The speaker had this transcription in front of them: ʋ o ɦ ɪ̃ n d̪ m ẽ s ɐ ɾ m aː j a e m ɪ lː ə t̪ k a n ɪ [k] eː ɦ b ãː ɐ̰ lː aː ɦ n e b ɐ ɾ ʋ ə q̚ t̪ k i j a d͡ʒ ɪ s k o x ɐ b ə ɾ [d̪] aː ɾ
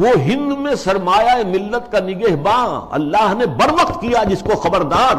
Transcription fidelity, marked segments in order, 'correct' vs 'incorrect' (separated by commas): incorrect, correct